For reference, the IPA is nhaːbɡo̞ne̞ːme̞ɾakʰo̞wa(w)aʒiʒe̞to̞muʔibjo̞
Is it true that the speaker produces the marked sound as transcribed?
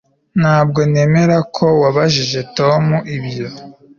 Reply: no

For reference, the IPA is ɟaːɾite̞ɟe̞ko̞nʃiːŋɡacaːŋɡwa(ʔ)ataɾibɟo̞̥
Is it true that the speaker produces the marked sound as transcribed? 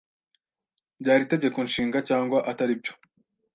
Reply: yes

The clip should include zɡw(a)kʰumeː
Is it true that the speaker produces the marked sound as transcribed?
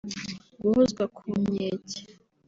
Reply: yes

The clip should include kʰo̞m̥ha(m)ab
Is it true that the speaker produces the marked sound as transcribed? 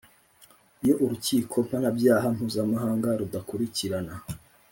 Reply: no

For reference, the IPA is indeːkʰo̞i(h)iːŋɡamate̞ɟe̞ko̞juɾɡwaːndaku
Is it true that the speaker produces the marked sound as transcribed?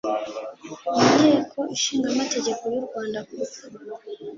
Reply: no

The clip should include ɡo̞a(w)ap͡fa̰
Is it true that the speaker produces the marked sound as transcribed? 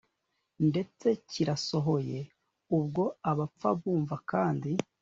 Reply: no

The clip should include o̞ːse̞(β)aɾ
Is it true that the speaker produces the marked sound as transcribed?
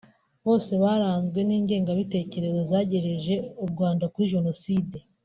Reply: yes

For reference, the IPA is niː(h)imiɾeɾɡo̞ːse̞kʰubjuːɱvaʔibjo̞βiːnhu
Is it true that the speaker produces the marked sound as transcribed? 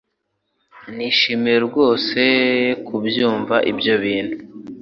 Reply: no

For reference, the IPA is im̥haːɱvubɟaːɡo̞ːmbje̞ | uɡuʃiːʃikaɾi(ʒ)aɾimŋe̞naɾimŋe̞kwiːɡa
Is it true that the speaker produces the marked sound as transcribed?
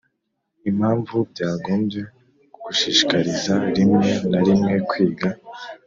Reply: no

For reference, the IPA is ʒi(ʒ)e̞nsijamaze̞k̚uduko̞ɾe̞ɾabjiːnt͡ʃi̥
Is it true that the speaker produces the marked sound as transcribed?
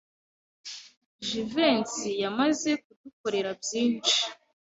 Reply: no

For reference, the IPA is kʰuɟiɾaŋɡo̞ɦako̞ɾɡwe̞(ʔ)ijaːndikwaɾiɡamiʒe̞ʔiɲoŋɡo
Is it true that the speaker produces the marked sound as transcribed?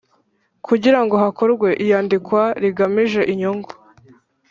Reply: yes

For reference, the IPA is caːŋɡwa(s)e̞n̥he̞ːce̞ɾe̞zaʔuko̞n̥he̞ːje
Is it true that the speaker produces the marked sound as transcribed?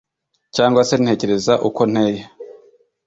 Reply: yes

